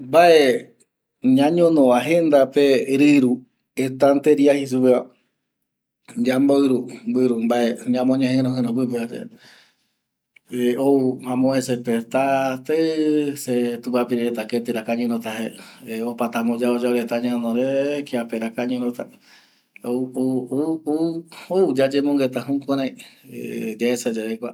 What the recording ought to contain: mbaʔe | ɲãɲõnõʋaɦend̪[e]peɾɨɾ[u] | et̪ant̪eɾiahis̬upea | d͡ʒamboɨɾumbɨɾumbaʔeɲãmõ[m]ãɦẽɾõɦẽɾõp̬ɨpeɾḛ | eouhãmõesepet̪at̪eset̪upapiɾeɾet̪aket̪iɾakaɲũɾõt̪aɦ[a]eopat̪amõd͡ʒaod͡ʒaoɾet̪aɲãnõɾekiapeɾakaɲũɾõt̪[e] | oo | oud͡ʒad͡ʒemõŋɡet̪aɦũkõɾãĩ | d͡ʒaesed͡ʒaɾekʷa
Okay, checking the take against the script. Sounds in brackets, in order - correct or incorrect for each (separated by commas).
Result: incorrect, correct, incorrect, incorrect, incorrect